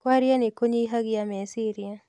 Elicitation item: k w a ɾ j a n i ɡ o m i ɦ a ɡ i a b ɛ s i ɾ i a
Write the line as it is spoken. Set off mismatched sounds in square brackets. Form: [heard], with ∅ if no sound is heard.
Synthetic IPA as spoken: k w a ɾ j a n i [k] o [ɲ] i ɦ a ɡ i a [m] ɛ s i ɾ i a

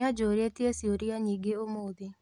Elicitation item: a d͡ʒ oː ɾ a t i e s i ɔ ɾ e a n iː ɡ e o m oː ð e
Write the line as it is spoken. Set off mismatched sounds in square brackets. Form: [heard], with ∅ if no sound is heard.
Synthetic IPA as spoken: a d͡ʒ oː ɾ [e] t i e s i [o] ɾ [i] a [ɲ] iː ɡ e o m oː ð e

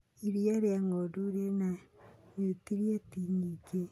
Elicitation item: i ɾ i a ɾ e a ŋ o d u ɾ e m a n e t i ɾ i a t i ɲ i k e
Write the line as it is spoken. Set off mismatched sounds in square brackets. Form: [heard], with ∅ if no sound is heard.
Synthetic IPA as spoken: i ɾ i a ɾ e a ŋ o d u ɾ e [n] a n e t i ɾ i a t i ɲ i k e

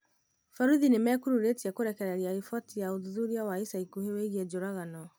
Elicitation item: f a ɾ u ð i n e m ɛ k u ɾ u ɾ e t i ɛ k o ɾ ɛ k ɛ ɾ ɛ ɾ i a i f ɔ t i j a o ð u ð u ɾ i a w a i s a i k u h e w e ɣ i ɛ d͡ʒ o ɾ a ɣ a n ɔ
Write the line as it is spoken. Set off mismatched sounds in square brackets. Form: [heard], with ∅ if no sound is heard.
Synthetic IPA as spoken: f a ɾ u ð i n e m ɛ k u ɾ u ɾ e t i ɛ k o ɾ ɛ k ɛ ɾ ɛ ɾ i a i f ɔ t i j a o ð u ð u ɾ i a w a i s a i k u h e w e ɣ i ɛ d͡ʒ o ɾ a ɣ a n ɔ

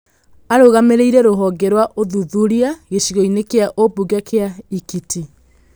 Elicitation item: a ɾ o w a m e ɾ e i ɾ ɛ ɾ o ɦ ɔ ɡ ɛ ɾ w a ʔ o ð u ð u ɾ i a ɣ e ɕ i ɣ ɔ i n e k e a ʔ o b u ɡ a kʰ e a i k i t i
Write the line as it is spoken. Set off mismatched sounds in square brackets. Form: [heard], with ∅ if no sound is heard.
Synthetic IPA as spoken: a ɾ o [ɣ] a m e ɾ e i ɾ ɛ ɾ o ɦ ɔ ɡ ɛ ɾ w a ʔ o ð u ð u ɾ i a ɣ e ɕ i ɣ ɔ i n e k e a ʔ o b u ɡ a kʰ e a i k i t i

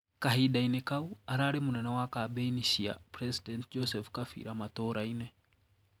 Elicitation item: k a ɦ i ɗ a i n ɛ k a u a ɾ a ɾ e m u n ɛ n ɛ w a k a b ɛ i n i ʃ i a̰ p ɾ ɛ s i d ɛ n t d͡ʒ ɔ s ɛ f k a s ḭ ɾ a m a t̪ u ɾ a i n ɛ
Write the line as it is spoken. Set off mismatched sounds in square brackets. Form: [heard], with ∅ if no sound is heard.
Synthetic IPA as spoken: k a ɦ i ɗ a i n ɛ k a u a ɾ a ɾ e m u n ɛ n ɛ w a k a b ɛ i n i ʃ i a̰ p ɾ ɛ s i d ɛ n t d͡ʒ ɔ s ɛ f k a [f] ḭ ɾ a m a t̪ [ɔ] ɾ a i n ɛ

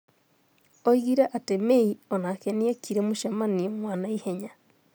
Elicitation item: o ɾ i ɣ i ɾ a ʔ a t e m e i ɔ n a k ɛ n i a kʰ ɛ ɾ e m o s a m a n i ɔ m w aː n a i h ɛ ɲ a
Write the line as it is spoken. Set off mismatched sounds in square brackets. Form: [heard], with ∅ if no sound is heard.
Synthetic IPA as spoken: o [∅] i ɣ i ɾ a ʔ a t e m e i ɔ n a k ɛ n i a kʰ [i] ɾ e m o [ʃ] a m a n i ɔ m w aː n a i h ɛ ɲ a

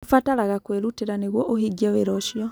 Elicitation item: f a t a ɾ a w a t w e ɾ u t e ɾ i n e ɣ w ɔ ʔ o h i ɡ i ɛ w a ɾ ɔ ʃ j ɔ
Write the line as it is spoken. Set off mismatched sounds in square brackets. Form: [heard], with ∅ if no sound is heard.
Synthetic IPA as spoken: f a t a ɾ a [ɣ] a [k] w e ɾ u t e ɾ [a] n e ɣ w ɔ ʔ o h i ɡ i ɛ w [e] ɾ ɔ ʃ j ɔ

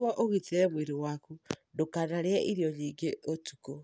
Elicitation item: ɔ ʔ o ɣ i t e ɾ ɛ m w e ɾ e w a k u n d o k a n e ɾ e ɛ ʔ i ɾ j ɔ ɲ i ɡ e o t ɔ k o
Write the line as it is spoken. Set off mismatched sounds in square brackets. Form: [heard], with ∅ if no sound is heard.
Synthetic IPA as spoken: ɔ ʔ o ɣ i t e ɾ ɛ m w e ɾ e w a k u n d o k a n [a] ɾ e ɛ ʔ i ɾ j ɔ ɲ i ɡ e o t [u] k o

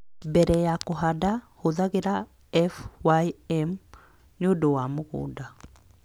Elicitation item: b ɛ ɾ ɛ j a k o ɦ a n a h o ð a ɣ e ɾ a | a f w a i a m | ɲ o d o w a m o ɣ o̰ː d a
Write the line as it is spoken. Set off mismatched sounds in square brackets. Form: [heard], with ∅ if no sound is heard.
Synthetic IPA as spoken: b ɛ ɾ ɛ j a k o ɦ a [d] a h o ð a ɣ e ɾ a | [ɛ] f w a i [ɛ] m | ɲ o d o w a m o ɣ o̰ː d a

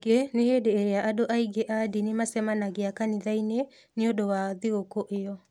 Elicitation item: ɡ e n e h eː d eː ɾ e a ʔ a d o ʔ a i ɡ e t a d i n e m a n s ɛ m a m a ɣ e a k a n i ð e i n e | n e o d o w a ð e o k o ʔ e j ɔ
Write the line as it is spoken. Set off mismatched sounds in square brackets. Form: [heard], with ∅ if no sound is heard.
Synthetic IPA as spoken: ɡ e n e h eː d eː ɾ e a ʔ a d o ʔ a i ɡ e [ʔ] a d i n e m a [∅] s ɛ m a [n] a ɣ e a k a n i ð [a] i n e | n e o d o w a ð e o k o ʔ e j ɔ

